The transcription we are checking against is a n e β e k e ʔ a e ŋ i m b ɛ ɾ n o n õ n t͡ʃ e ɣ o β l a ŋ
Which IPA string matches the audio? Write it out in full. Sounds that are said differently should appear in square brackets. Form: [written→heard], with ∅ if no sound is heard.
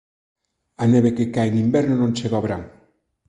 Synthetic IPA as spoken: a n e β e k e [ʔ→k] a e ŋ i m b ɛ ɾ n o n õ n t͡ʃ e ɣ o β [l→ɾ] a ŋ

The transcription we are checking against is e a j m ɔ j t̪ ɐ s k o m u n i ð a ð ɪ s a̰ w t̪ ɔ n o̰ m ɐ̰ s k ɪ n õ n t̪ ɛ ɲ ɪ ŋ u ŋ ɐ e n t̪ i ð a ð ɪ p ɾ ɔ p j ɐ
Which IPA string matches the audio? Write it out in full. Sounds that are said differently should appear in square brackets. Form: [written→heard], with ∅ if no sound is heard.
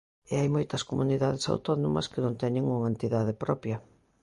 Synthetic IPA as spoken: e a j m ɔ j t̪ ɐ s k o m u n i ð a ð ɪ s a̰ w t̪ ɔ n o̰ m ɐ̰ s k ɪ n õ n t̪ ɛ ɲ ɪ ŋ u ŋ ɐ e n t̪ i ð a ð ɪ p ɾ ɔ p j ɐ

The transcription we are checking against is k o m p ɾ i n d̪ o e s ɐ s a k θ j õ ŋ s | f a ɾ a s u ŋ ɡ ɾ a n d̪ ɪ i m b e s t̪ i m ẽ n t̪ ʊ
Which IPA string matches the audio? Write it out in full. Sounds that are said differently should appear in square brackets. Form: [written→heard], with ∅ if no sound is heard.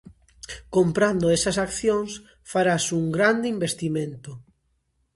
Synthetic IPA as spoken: k o m p ɾ [i→a] n d̪ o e s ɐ s a k θ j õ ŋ s | f a ɾ a s u ŋ ɡ ɾ a n d̪ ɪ i m b e s t̪ i m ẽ n t̪ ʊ

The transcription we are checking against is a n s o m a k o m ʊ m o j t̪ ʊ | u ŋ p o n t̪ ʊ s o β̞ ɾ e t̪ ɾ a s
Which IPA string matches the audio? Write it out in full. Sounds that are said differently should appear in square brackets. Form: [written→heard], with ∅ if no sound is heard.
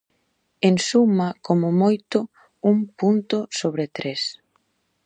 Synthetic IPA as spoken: [a→e] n s [o→u] m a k o m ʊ m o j t̪ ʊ | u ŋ p [o→u] n t̪ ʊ s o β̞ ɾ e t̪ ɾ [a→e] s

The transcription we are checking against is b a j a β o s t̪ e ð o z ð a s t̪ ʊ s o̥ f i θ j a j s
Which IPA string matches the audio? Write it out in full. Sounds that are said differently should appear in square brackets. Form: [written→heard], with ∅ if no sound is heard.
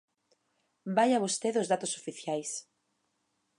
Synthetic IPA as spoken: b a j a β o s t̪ e ð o z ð a [s→∅] t̪ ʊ s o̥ f i θ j a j s

